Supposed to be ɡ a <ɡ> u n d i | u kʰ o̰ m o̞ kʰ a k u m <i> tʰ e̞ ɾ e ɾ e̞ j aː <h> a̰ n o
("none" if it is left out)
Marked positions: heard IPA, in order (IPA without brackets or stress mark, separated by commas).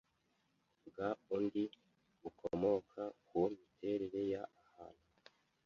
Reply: none, i, h